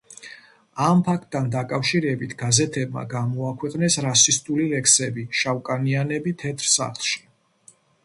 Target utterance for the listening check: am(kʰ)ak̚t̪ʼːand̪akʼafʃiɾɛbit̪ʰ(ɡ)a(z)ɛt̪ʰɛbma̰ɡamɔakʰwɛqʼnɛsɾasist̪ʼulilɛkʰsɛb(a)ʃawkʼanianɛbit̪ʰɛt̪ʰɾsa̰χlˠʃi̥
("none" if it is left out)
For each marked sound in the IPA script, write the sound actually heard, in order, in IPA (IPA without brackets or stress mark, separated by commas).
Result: pʰ, ɡ, z, i